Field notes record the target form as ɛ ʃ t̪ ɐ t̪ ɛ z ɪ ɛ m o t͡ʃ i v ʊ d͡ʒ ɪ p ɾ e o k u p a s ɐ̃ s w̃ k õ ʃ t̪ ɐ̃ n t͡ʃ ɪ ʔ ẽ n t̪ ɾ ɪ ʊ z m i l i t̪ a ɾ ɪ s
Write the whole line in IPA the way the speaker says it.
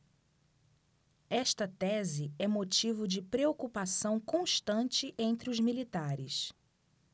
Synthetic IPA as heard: ɛ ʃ t̪ ɐ t̪ ɛ z ɪ ɛ m o t͡ʃ i v ʊ d͡ʒ ɪ p ɾ e o k u p a s ɐ̃ w̃ k õ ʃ t̪ ɐ̃ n t͡ʃ ɪ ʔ ẽ n t̪ ɾ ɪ ʊ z m i l i t̪ a ɾ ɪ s